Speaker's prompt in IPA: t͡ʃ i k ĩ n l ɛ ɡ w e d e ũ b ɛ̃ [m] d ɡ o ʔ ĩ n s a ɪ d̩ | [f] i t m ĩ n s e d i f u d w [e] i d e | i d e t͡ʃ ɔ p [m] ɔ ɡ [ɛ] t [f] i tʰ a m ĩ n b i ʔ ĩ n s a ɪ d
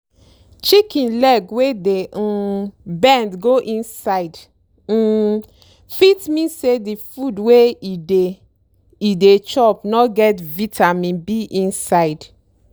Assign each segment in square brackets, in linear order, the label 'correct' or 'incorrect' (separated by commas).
incorrect, correct, correct, incorrect, correct, incorrect